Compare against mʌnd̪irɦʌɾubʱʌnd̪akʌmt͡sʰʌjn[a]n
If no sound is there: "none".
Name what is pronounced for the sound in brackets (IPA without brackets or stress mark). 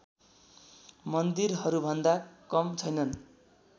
ʌ